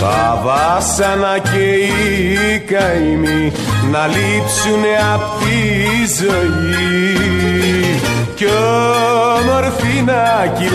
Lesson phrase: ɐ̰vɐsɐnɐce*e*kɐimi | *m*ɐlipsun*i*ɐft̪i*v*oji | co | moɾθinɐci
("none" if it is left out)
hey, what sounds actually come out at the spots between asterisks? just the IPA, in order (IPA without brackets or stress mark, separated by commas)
i, n, e, z